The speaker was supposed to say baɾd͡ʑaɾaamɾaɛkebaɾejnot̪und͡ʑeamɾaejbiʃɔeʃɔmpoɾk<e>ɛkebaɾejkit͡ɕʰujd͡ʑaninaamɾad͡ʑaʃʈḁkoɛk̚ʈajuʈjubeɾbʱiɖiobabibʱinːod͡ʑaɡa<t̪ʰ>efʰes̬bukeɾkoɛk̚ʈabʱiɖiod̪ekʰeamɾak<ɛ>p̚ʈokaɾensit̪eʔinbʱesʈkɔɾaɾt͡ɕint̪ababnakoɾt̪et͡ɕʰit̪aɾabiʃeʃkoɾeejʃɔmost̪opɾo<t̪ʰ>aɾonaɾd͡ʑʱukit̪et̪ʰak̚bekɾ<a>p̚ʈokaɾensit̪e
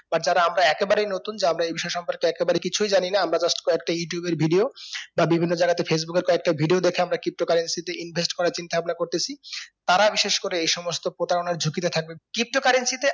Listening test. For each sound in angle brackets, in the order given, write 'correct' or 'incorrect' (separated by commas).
correct, incorrect, incorrect, incorrect, incorrect